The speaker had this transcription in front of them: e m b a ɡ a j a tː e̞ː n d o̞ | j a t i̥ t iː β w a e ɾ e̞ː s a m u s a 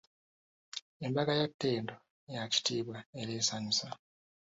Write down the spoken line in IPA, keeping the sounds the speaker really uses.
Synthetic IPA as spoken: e m b a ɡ a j a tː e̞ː n d o̞ | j a c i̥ t iː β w a e ɾ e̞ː s a ɲ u s a